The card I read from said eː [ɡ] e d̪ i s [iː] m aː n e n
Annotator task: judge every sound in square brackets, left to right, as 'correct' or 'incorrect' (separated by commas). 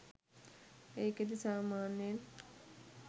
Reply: incorrect, incorrect